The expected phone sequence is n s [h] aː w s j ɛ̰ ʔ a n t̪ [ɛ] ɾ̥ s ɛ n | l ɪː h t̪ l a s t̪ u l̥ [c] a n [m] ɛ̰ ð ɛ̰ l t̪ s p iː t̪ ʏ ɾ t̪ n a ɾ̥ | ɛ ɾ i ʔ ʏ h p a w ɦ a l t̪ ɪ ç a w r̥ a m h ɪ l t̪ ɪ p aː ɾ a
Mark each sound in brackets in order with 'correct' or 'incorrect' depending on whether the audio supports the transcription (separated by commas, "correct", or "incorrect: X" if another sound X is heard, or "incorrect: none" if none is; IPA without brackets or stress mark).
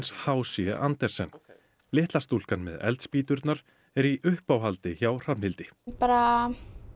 correct, correct, incorrect: k, correct